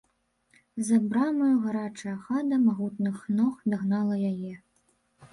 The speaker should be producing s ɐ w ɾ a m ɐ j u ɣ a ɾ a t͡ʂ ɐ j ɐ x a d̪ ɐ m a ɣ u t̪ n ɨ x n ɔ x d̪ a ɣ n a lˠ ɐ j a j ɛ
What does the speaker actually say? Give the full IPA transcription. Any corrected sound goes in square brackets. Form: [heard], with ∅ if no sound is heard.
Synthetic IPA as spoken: [z] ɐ [b] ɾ a m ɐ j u ɣ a ɾ a t͡ʂ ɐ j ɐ x a d̪ ɐ m a ɣ u t̪ n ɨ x n ɔ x d̪ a ɣ n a lˠ ɐ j a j ɛ